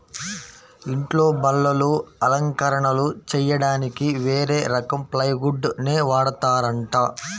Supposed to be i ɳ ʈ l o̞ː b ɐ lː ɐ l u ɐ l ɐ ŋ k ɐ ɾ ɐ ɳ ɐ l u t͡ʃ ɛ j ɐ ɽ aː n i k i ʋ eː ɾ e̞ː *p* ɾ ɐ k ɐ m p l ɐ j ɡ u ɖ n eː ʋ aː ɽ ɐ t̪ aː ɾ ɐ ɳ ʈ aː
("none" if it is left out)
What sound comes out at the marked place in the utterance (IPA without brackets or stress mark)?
none